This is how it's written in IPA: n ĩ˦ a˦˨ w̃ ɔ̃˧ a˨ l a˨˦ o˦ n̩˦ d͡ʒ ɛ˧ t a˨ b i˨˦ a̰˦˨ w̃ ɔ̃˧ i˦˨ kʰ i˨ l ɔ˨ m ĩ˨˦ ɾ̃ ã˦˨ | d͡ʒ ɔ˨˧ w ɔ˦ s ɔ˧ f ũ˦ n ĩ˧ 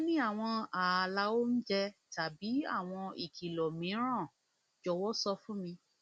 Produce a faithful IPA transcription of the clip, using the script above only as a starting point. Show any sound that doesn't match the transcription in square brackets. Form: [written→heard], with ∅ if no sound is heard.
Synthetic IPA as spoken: n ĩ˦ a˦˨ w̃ ɔ̃˧ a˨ l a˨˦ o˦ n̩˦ d͡ʒ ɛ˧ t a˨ b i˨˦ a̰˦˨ w̃ ɔ̃˧ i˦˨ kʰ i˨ l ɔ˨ m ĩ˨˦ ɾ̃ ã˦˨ | d͡ʒ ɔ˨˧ w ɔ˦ s ɔ˧ f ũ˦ [n→m] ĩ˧